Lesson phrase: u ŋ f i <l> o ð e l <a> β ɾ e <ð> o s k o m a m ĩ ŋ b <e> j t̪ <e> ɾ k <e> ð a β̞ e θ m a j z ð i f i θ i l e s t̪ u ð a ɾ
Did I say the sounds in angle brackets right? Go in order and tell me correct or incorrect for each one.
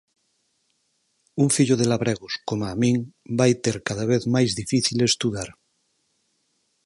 incorrect, correct, incorrect, incorrect, correct, incorrect

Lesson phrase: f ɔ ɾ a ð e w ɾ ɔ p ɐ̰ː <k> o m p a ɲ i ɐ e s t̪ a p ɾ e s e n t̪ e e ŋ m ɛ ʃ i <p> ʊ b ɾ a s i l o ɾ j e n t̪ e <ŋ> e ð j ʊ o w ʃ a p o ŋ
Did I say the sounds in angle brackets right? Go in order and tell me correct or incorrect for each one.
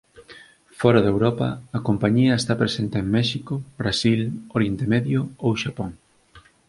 correct, incorrect, incorrect

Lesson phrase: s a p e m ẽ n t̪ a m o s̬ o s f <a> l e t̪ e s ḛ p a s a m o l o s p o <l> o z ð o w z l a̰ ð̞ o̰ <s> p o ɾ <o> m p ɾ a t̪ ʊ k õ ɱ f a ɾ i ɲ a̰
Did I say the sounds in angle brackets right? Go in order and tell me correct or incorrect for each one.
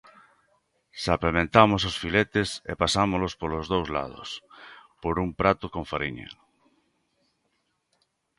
incorrect, correct, correct, incorrect

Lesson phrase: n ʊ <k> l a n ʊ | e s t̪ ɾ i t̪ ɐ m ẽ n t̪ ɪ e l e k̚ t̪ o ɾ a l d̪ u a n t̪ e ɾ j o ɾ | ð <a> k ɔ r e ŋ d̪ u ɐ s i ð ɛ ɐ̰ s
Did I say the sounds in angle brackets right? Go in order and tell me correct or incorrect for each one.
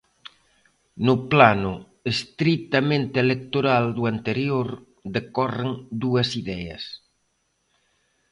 incorrect, incorrect

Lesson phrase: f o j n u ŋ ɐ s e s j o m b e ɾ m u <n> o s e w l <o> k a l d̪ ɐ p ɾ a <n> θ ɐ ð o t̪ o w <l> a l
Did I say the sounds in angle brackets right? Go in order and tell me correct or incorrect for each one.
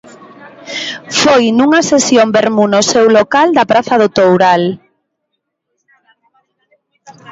correct, correct, incorrect, incorrect

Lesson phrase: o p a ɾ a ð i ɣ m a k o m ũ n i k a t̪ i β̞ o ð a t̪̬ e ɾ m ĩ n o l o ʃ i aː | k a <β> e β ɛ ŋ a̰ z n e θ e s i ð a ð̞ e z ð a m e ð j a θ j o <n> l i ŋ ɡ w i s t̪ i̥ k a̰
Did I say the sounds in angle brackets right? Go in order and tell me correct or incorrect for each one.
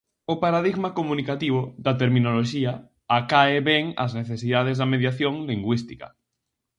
incorrect, incorrect

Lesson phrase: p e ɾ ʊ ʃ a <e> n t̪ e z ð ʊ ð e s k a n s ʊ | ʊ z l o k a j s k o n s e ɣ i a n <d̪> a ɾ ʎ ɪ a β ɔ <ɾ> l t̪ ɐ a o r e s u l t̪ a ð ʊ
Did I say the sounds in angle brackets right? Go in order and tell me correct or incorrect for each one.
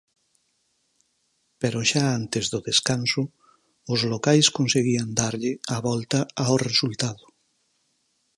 incorrect, correct, incorrect

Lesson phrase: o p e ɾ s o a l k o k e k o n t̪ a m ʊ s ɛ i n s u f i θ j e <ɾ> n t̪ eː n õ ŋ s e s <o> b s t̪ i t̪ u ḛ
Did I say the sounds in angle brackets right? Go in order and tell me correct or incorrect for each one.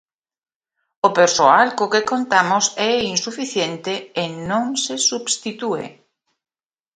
incorrect, incorrect

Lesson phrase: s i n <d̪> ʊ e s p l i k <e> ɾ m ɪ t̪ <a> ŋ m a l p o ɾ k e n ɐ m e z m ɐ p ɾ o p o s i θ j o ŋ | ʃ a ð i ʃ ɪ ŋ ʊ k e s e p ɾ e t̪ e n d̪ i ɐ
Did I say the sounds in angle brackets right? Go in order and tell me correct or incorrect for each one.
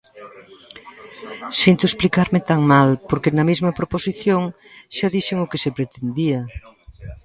incorrect, incorrect, correct

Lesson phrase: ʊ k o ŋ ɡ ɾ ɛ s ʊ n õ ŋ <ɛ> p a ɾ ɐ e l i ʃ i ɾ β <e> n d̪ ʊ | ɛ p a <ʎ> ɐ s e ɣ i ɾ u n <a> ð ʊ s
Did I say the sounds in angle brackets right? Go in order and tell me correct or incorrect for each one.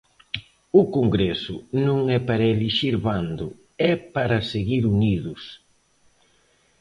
correct, incorrect, incorrect, incorrect

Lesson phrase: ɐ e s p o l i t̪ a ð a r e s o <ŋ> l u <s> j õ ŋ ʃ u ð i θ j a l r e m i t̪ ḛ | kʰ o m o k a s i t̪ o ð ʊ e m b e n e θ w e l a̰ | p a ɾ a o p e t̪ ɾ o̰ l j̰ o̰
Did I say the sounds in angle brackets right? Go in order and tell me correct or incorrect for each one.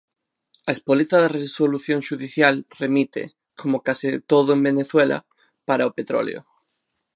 incorrect, incorrect

